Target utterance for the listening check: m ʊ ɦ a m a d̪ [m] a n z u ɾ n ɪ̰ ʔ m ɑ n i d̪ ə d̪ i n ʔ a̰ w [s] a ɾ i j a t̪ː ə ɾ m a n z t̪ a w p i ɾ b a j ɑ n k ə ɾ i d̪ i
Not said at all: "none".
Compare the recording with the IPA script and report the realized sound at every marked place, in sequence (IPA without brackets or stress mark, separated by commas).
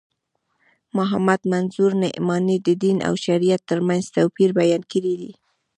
m, ʃ